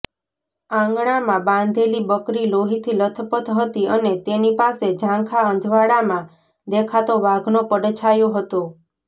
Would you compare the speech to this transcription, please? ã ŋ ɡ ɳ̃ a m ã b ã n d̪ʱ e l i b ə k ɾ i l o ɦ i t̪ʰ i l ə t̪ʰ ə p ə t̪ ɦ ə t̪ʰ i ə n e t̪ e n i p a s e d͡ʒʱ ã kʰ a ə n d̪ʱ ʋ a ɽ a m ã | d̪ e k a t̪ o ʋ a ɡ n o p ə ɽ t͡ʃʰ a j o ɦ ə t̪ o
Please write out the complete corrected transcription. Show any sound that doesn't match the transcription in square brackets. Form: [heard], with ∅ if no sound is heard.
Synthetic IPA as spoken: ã ŋ ɡ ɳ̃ a m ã b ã n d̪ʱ e l i b ə k ɾ i l o ɦ i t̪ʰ i l ə t̪ʰ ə p ə t̪ ɦ ə [t̪] i ə n e t̪ e n i p a s e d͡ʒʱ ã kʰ a ə n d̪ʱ ʋ a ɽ a m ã | d̪ e [kʰ] a t̪ o ʋ a ɡ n o p ə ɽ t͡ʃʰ a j o ɦ ə t̪ o